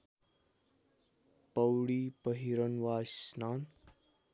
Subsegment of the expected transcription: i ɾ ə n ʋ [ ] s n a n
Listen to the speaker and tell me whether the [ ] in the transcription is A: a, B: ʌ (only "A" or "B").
A